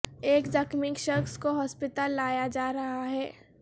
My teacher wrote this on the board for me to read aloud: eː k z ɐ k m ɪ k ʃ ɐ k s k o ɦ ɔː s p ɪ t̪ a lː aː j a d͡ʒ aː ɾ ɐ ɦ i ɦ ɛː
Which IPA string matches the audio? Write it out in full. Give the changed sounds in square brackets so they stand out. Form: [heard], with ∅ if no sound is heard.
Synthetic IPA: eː k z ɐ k m ɪ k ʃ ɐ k s k o ɦ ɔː s p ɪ t̪ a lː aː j a d͡ʒ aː ɾ ɐ ɦ [a] ɦ ɛː

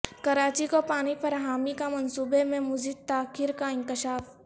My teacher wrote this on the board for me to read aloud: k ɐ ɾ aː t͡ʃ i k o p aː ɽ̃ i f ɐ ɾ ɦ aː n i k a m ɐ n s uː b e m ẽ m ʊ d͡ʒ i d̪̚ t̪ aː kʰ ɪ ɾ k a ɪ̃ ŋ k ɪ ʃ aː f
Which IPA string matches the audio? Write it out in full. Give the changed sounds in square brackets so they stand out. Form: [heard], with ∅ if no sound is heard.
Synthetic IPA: k ɐ ɾ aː t͡ʃ i k o p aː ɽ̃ i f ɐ ɾ ɦ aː [m] i k a m ɐ n s uː b e m ẽ m ʊ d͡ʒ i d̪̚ t̪ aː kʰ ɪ ɾ k a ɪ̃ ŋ k ɪ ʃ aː f

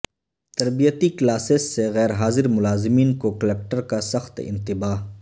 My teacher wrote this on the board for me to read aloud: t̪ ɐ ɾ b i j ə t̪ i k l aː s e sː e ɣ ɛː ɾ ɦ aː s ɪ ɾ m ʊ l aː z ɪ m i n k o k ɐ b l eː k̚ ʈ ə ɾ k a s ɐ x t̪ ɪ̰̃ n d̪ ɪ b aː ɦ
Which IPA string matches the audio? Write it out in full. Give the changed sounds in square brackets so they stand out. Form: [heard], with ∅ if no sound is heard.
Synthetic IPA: t̪ ɐ ɾ b i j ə t̪ i k l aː s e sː e ɣ ɛː ɾ ɦ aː [z] ɪ ɾ m ʊ l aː z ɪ m [iː] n k o k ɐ [∅] l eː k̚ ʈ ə ɾ k a s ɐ x t̪ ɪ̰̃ n [t̪] ɪ b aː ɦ

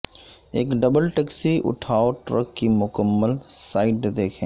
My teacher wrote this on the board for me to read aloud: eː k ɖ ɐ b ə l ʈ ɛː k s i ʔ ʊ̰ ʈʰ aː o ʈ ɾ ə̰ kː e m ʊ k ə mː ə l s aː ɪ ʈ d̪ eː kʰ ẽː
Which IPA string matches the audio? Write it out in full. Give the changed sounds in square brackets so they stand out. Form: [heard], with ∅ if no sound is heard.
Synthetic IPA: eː k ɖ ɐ b ə l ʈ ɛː k s i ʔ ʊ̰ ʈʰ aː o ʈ ɾ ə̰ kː [i] m ʊ k ə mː ə l s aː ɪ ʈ d̪ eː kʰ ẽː

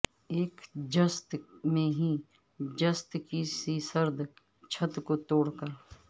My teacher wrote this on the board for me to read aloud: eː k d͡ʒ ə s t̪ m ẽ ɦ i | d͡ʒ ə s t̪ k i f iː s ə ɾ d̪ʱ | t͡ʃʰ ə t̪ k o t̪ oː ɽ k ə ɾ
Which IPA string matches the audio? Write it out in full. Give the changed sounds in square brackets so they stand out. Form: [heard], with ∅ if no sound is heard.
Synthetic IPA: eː k d͡ʒ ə s t̪ m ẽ ɦ i | d͡ʒ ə s t̪ k i [s] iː s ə ɾ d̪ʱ | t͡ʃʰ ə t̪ k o t̪ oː ɽ k ə ɾ

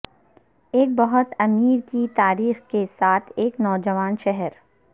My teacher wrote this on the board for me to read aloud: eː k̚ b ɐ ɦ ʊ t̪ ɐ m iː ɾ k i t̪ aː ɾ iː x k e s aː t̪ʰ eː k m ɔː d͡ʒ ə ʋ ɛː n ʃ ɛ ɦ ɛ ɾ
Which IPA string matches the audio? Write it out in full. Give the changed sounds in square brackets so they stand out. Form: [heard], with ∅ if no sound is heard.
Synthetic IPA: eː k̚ b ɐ ɦ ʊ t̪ ɐ m iː ɾ k i t̪ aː ɾ iː x k e s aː t̪ʰ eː k [n] ɔː d͡ʒ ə ʋ [aː] n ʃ ɛ ɦ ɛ ɾ

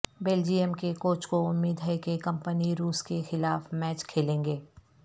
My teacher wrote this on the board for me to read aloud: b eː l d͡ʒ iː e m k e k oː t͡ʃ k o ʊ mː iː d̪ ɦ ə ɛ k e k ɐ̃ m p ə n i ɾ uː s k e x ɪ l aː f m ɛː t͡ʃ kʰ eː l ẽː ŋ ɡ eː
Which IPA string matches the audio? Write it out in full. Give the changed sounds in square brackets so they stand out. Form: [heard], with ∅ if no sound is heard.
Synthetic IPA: b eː l d͡ʒ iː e m k e k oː t͡ʃ k o ʊ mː iː d̪ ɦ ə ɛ k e k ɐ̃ m p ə n i ɾ uː s k e x ɪ l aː f m ɛː t͡ʃ kʰ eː l ẽː ŋ ɡ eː

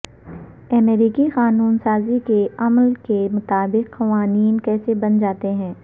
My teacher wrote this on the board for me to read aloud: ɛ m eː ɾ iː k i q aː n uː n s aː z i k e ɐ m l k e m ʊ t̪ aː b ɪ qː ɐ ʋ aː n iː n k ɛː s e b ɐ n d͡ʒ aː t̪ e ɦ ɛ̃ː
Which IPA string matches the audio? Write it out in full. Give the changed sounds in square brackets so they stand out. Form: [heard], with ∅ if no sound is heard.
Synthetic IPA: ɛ m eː ɾ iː k i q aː n uː n s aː z i k e ɐ m l k e m ʊ t̪ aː b ɪ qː ɐ ʋ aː n iː n k ɛː s e b ɐ n d͡ʒ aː t̪ e ɦ ɛ̃ː

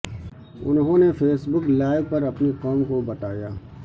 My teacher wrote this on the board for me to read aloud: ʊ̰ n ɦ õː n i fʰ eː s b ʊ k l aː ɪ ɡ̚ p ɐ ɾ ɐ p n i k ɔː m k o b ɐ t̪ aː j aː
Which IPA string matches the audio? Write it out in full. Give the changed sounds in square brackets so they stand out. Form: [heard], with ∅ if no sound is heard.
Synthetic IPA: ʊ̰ n ɦ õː n [e] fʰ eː s b ʊ k l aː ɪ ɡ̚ p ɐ ɾ ɐ p n i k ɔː m k o b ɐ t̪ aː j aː

